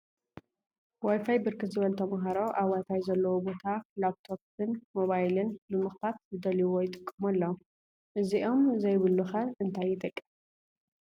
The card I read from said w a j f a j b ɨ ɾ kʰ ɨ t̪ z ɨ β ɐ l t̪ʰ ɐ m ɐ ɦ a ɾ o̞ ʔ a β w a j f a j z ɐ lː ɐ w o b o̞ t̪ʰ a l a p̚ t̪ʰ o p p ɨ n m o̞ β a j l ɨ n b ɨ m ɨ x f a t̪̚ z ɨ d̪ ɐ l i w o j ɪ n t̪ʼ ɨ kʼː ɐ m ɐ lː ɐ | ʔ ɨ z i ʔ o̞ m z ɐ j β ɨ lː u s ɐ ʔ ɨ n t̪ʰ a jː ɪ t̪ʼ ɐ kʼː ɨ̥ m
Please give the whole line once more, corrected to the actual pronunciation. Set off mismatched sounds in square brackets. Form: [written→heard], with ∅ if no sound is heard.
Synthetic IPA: w a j f a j b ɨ ɾ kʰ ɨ t̪ z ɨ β ɐ l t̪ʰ ɐ m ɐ ɦ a ɾ o̞ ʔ a β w a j f a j z ɐ lː ɐ w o b o̞ t̪ʰ a l a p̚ t̪ʰ o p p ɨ n m o̞ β a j l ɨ n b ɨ m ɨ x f a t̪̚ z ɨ d̪ ɐ l i w o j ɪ [n→∅] t̪ʼ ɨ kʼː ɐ m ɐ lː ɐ | ʔ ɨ z i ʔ o̞ m z ɐ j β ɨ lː u [s→x] ɐ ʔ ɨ n t̪ʰ a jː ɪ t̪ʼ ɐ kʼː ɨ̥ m

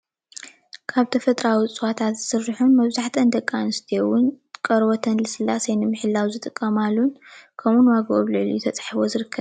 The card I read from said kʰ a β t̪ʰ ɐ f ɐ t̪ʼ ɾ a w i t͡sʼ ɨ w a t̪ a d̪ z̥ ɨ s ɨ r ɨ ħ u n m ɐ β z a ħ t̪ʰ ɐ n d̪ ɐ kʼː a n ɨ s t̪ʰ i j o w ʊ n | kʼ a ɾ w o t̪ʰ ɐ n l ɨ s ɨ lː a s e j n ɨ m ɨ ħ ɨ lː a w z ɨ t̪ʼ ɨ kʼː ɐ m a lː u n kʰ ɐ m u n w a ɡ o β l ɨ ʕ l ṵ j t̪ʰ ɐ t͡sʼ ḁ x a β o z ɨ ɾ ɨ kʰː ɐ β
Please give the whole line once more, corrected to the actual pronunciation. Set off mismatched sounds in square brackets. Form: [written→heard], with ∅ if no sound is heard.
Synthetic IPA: kʰ a β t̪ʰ ɐ f ɐ t̪ʼ ɾ a w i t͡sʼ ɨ w a [t̪→t̪ʰ] a [d̪→t̪] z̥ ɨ s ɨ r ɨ ħ u n m ɐ β z a ħ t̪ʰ ɐ n d̪ ɐ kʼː a n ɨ s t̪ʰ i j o w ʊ n | kʼ [a→ɐ] ɾ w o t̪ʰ ɐ n l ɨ s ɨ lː a s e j n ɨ m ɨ ħ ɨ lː a w z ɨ t̪ʼ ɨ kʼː ɐ m a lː u n kʰ ɐ m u n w a ɡ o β l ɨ ʕ l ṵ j t̪ʰ ɐ t͡sʼ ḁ [x→ħ] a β o z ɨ ɾ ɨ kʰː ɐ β

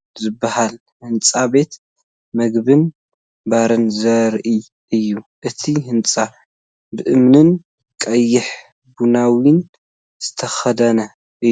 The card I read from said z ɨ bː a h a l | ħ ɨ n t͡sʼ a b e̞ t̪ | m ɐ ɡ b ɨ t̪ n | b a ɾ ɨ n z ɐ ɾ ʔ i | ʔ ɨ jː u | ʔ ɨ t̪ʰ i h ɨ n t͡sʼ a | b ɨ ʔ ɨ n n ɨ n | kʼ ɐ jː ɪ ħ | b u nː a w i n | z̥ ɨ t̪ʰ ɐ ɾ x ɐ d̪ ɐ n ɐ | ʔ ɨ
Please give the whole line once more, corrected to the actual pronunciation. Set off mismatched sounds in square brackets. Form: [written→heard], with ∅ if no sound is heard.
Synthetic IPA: z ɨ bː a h a l | [ħ→h] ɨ n t͡sʼ a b e̞ t̪ | m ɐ ɡ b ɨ [t̪→∅] n | b a ɾ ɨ n z ɐ ɾ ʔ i | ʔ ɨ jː u | ʔ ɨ t̪ʰ i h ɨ n t͡sʼ a | b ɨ ʔ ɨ [n→m] n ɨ n | kʼ ɐ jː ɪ ħ | b u [nː→n] a w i n | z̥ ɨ t̪ʰ ɐ [ɾ→∅] x ɐ d̪ ɐ n ɐ | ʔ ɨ

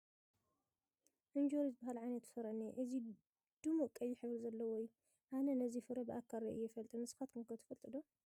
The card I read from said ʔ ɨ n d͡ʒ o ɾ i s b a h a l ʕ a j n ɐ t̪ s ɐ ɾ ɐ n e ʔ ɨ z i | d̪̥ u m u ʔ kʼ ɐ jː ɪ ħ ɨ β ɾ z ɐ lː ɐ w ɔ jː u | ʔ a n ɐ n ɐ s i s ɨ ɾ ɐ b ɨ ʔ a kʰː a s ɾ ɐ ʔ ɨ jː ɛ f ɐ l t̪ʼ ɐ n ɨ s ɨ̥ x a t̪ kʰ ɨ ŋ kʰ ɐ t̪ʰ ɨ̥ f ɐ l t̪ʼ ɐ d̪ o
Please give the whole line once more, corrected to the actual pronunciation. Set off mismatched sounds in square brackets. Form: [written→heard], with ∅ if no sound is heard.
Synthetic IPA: ʔ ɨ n d͡ʒ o ɾ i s b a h a l ʕ a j n ɐ t̪ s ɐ ɾ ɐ n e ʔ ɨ z i | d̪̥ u m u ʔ kʼ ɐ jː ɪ ħ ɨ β ɾ z ɐ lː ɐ w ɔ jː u | ʔ a n ɐ n ɐ [s→z] i [s→f] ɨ ɾ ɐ b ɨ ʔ a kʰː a [s→∅] ɾ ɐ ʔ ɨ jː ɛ f ɐ l t̪ʼ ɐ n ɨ s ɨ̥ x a t̪ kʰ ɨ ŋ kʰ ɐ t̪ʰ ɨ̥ f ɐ l t̪ʼ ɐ d̪ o

